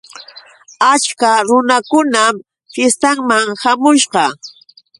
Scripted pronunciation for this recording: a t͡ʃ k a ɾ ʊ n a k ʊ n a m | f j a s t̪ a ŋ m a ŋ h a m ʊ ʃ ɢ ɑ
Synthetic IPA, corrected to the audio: a t͡ʃ k a ɾ ʊ n a k ʊ n a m | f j e s t̪ a ŋ m a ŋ h a m ʊ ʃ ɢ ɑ